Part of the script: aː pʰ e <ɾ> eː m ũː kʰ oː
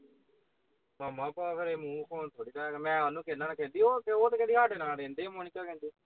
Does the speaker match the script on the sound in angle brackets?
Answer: yes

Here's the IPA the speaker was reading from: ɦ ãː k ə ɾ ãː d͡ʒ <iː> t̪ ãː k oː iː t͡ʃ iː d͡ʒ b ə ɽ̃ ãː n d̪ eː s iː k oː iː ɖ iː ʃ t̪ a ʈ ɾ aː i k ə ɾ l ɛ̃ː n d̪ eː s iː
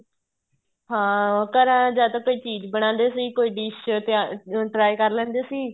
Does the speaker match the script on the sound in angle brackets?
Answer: no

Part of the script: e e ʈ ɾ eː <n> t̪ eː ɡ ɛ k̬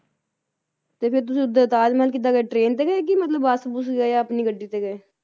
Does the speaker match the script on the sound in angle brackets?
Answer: yes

